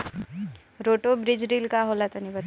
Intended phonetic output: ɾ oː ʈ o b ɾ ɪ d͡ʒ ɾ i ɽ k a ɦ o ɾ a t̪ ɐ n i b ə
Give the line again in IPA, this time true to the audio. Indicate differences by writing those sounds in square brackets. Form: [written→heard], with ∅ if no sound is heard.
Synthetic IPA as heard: ɾ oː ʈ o b ɾ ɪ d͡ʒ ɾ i [ɽ→l] k a ɦ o [ɾ→l] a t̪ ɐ n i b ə